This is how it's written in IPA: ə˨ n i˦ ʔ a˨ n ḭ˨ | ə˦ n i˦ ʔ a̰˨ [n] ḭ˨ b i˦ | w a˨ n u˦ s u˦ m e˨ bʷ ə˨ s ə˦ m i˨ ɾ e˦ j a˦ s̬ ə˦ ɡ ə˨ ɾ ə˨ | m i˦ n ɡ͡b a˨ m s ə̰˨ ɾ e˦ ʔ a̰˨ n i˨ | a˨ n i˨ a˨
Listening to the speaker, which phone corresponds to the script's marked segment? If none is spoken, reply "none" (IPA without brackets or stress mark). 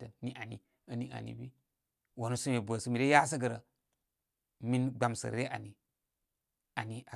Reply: n